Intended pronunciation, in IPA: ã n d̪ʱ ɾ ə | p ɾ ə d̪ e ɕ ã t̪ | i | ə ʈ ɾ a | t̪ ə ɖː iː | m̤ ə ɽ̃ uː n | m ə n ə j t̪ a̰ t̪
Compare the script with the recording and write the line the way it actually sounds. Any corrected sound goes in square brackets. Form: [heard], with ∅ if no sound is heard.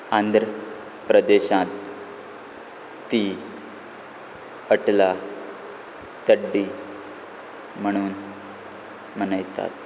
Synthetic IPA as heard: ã n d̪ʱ ɾ ə | p ɾ ə d̪ e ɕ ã t̪ | i | ə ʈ [l] a | t̪ ə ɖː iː | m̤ ə ɽ̃ uː n | m ə n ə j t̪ a̰ t̪